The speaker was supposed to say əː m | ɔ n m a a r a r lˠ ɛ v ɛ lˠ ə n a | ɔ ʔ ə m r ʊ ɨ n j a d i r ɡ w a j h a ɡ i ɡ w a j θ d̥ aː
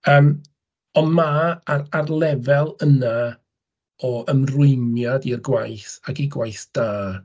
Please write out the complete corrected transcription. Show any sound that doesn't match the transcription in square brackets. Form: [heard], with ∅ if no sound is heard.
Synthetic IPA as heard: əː m | ɔ n m a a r a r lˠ ɛ v ɛ lˠ ə n a | ɔ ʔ ə m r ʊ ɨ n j a d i r ɡ w a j [θ] a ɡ i ɡ w a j θ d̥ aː